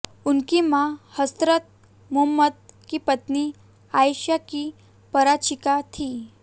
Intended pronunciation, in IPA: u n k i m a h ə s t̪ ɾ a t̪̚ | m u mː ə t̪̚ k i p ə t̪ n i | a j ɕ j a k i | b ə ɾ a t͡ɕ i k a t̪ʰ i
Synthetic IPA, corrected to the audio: u n k i m a h ə s t̪ ɾ ə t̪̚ | m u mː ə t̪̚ k i p ə t̪ n i | a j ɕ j a k i | p ə ɾ a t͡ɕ i k a t̪ʰ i